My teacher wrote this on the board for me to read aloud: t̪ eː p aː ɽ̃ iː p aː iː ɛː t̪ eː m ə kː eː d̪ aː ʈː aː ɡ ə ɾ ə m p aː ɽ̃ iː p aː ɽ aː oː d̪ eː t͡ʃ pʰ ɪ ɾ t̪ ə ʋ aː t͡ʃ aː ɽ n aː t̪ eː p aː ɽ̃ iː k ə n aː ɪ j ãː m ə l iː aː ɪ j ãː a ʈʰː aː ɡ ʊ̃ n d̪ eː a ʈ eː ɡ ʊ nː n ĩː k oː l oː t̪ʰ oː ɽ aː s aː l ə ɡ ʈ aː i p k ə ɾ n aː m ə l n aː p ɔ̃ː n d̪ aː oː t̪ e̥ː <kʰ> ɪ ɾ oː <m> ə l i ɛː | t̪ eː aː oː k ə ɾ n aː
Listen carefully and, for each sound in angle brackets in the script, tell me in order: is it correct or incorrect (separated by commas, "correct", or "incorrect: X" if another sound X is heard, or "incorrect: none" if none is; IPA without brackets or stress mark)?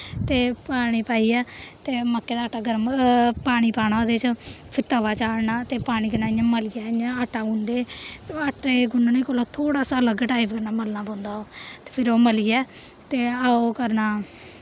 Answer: incorrect: pʰ, correct